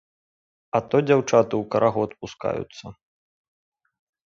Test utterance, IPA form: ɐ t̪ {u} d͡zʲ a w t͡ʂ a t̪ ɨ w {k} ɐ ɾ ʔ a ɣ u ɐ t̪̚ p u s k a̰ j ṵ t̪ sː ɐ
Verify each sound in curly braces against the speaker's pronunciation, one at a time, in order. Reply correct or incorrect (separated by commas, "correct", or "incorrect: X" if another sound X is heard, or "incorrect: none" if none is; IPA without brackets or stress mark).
incorrect: ɔ, correct